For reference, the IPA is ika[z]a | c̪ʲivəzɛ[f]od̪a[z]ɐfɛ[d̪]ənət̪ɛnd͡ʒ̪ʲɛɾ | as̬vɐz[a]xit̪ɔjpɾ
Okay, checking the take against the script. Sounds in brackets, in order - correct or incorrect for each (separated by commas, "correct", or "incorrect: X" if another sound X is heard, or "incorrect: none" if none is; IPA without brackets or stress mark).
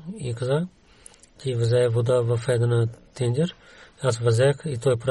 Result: correct, incorrect: v, incorrect: v, correct, incorrect: ɛ